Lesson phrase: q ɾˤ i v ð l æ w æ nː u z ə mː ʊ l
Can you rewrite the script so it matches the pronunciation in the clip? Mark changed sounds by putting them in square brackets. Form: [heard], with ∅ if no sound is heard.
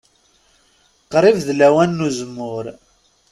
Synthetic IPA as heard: q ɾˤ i v ð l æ w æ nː u z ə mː ʊ [ɾ]